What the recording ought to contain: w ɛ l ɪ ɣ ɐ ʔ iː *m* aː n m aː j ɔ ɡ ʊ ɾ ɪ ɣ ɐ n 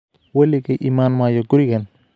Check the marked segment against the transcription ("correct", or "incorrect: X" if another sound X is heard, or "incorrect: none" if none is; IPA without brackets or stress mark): correct